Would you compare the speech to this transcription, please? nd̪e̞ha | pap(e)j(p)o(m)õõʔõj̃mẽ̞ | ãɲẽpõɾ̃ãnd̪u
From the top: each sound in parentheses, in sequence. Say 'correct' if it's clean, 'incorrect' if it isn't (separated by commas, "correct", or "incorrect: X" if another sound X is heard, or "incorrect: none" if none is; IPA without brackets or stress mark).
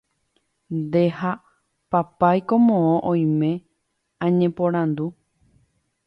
incorrect: a, incorrect: k, correct